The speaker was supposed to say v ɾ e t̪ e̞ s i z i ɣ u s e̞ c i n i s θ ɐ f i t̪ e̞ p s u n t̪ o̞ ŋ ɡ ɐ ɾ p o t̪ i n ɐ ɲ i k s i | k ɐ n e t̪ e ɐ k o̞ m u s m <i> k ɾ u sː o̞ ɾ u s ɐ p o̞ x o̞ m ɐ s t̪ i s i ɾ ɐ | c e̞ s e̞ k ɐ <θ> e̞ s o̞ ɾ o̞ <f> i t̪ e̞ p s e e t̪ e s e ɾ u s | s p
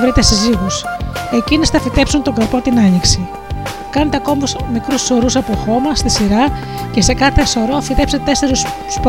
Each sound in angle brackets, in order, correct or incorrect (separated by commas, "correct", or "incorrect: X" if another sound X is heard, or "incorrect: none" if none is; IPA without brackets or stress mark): correct, correct, correct